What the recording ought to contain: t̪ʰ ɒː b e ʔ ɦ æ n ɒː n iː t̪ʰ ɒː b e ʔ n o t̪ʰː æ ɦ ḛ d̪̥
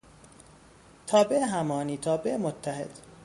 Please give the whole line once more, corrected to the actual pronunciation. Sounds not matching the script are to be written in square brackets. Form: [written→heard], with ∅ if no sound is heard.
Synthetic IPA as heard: t̪ʰ ɒː b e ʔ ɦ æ [n→m] ɒː n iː t̪ʰ ɒː b e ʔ [n→m] o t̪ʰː æ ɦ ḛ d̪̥